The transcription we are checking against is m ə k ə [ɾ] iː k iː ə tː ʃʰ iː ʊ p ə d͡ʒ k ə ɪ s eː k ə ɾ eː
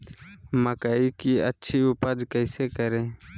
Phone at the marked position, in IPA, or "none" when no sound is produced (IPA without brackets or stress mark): none